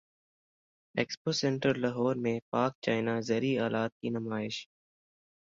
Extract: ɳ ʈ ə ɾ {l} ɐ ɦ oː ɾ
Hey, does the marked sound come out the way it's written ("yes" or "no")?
yes